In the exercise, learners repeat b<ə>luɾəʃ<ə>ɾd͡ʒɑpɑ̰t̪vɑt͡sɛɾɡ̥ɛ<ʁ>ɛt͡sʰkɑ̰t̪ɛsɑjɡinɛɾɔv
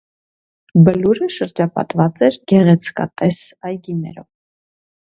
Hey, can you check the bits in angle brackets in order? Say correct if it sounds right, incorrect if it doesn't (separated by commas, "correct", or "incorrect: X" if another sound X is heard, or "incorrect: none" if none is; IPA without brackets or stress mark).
correct, correct, correct